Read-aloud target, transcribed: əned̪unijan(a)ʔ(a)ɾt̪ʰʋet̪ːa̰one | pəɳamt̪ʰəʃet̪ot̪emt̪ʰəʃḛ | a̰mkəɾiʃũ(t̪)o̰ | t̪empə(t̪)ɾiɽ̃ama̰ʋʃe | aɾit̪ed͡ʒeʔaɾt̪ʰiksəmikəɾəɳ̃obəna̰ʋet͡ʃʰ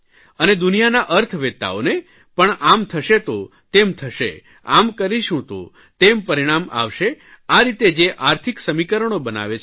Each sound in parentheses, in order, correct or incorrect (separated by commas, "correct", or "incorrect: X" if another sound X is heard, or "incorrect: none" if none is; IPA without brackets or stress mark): correct, incorrect: ə, correct, incorrect: none